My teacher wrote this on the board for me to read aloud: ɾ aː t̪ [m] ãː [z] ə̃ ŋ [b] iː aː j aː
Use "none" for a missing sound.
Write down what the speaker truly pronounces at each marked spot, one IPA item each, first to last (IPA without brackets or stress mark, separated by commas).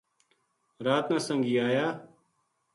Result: n, s, ɡ